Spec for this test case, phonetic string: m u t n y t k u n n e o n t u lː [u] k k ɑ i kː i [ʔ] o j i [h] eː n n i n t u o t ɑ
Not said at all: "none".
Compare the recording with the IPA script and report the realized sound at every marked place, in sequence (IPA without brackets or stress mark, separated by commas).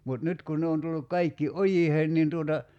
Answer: u, ʔ, h